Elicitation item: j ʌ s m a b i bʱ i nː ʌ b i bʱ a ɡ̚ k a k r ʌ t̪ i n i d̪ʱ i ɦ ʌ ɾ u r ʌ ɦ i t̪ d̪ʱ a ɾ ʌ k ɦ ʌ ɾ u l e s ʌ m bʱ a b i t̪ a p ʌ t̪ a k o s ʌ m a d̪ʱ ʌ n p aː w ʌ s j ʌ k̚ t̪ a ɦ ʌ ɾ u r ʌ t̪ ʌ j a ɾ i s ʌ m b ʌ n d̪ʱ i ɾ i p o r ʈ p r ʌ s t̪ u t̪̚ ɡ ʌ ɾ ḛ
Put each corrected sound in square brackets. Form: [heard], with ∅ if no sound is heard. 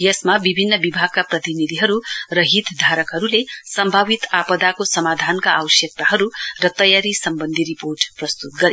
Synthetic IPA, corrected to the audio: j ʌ s m a b i bʱ i nː ʌ b i bʱ a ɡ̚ k a [p] r ʌ t̪ i n i d̪ʱ i ɦ ʌ ɾ u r ʌ ɦ i t̪ d̪ʱ a ɾ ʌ k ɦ ʌ ɾ u l e s ʌ m bʱ a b i t̪ a p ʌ [d̪] a k o s ʌ m a d̪ʱ [a] n [k] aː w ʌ s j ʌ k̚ t̪ a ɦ ʌ ɾ u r ʌ t̪ ʌ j a ɾ i s ʌ m b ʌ n d̪ʱ i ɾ i p o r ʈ p r ʌ s t̪ u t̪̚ ɡ ʌ ɾ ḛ